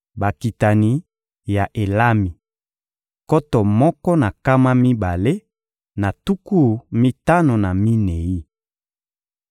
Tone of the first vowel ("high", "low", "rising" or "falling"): low